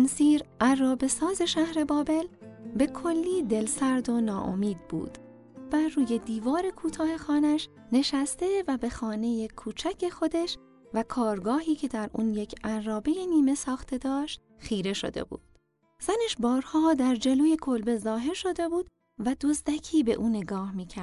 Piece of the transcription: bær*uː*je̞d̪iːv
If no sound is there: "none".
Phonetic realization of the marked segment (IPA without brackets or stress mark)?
uː